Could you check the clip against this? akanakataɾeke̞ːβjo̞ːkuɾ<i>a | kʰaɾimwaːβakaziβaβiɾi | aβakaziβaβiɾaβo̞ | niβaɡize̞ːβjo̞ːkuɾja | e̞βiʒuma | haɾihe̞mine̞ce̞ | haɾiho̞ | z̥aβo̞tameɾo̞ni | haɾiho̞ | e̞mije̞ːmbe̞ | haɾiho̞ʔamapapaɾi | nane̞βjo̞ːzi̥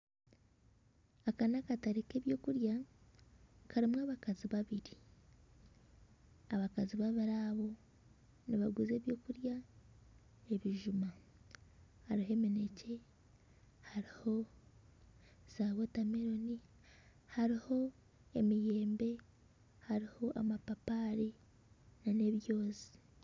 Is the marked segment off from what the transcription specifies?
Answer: yes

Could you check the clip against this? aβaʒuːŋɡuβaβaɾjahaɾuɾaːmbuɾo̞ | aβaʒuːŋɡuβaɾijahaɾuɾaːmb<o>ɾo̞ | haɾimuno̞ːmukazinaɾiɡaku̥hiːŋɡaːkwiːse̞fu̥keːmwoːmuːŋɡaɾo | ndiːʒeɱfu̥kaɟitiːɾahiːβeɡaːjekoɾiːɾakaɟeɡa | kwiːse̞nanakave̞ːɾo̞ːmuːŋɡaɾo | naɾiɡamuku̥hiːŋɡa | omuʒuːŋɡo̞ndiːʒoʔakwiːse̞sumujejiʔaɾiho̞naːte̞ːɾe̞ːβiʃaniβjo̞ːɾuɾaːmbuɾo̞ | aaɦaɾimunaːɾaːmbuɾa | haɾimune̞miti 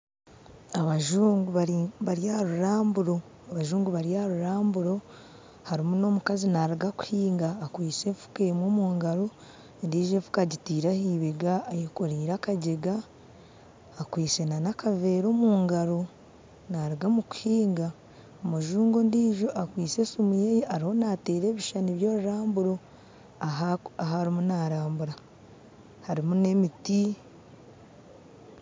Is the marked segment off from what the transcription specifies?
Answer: yes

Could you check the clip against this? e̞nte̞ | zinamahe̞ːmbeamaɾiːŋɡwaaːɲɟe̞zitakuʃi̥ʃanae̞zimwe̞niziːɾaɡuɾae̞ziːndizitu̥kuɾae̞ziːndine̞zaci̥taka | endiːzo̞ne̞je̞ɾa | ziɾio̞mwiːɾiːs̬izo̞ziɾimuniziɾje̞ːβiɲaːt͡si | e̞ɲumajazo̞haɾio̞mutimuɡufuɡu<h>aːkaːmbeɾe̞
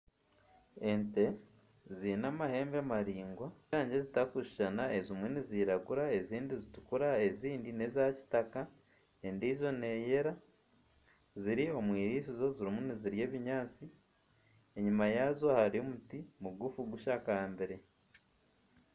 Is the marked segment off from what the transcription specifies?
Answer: yes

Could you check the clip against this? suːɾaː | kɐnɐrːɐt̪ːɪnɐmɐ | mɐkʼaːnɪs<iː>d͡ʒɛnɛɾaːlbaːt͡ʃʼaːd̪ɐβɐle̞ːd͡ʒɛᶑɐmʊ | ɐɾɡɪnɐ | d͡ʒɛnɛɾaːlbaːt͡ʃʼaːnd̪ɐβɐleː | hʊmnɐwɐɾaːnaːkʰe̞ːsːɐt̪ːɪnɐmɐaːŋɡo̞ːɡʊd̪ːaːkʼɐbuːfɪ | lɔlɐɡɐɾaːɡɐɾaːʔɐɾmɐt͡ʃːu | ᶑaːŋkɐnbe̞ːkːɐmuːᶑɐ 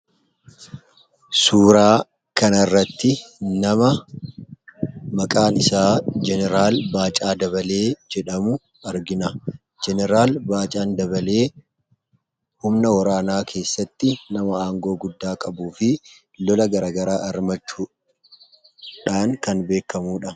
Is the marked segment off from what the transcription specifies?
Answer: yes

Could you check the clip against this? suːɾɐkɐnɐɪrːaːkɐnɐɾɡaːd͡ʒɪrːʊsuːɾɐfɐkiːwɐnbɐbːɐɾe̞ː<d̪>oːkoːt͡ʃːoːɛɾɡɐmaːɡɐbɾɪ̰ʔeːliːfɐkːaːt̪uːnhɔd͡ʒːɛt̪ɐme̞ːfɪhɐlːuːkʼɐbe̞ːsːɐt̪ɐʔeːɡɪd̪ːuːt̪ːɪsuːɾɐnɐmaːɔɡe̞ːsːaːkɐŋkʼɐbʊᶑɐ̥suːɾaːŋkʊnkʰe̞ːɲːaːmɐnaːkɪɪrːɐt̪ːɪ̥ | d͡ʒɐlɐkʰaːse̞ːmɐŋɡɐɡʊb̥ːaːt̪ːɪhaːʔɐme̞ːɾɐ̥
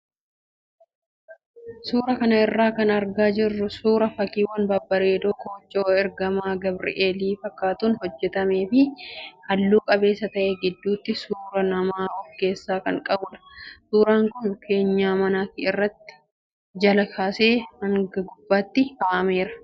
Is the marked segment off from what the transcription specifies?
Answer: no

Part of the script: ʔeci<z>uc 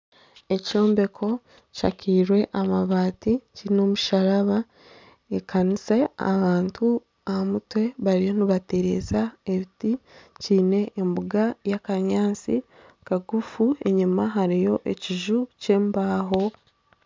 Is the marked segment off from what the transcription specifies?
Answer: yes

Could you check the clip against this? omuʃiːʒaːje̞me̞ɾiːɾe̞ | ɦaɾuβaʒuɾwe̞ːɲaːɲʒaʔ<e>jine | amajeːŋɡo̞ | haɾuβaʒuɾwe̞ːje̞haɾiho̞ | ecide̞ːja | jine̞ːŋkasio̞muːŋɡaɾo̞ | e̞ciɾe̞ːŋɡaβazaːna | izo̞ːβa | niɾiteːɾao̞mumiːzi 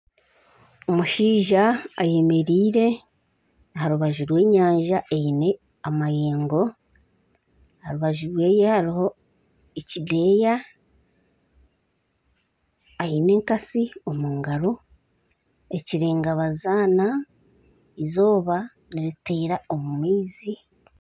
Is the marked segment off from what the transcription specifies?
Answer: no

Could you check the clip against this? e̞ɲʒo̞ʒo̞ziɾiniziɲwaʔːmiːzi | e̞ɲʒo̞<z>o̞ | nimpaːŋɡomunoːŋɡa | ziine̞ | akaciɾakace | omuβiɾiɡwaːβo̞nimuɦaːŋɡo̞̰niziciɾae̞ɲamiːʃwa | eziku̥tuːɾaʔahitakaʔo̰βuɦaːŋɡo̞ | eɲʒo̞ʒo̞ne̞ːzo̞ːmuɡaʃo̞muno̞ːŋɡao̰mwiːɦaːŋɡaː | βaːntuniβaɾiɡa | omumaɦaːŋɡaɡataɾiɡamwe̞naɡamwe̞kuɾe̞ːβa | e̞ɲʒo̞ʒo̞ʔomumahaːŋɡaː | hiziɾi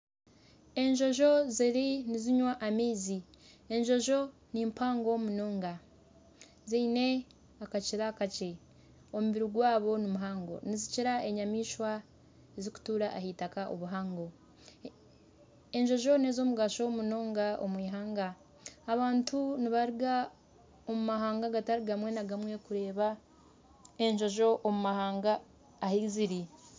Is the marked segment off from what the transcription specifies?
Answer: yes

